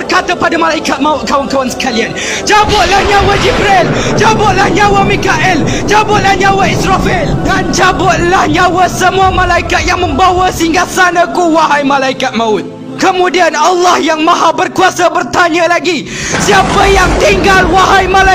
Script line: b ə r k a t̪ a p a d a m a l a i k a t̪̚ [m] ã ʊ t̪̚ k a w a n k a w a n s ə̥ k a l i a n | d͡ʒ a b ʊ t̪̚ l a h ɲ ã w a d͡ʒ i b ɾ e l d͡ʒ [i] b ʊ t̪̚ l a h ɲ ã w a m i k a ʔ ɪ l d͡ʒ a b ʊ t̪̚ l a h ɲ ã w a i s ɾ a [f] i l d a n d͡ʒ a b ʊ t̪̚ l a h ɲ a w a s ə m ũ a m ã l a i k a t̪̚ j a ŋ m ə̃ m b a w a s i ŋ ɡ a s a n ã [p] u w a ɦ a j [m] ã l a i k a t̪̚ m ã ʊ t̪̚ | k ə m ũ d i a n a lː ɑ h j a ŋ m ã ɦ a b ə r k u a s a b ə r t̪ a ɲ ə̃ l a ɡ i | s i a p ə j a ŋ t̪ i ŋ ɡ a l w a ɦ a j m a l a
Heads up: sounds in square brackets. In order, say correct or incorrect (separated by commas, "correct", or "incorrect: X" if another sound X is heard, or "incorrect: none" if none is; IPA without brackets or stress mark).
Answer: correct, incorrect: a, correct, incorrect: k, correct